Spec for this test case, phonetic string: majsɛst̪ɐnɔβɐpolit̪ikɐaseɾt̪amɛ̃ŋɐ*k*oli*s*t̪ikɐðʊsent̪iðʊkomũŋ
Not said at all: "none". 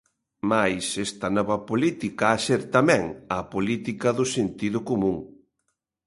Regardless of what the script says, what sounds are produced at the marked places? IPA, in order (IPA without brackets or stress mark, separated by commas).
p, none